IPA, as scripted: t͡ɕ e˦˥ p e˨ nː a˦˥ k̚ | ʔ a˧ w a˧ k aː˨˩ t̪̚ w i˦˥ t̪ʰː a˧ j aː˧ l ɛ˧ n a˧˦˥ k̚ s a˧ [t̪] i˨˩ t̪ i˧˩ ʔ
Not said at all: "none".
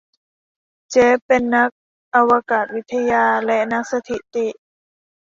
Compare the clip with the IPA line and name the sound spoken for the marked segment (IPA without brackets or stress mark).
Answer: t̪ʰ